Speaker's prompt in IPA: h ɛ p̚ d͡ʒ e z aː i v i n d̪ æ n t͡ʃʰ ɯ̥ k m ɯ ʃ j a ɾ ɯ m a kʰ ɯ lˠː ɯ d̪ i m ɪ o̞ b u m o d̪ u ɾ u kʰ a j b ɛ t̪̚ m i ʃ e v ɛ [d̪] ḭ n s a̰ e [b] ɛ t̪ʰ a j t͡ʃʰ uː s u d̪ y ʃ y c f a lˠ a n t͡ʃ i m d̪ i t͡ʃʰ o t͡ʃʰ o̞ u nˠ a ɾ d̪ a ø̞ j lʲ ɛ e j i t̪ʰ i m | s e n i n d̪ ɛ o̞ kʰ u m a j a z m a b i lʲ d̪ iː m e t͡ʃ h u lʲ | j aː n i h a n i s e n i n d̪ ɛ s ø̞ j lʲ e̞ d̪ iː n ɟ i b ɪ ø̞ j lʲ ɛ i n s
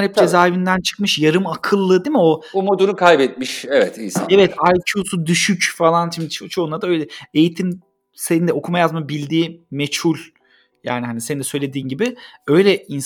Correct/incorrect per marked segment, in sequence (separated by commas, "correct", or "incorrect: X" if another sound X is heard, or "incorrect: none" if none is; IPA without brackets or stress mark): incorrect: t̪, incorrect: v